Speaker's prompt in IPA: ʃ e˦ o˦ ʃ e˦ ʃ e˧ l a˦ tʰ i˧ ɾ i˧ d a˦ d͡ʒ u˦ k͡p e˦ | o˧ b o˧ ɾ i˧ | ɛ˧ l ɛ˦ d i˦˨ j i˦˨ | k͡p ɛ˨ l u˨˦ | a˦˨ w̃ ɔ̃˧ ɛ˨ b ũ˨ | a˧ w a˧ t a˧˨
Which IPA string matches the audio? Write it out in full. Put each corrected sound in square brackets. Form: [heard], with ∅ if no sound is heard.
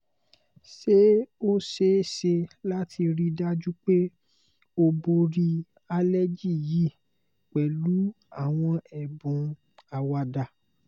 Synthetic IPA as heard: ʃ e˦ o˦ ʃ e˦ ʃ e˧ l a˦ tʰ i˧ ɾ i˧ d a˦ d͡ʒ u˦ k͡p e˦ | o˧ b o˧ ɾ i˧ | [a˧] l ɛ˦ [d͡ʒ] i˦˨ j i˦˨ | k͡p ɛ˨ l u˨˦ | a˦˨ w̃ ɔ̃˧ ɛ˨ b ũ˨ | a˧ w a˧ [d] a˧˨